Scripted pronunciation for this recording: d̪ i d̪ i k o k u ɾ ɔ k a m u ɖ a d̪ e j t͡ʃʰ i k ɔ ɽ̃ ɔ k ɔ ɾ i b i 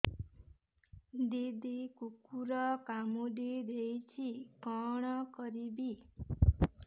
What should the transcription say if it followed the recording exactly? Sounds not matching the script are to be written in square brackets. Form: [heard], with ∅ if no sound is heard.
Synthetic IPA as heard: d̪ i d̪ i k [u] k u ɾ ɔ k a m u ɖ [i] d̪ e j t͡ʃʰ i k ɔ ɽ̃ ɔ k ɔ ɾ i b i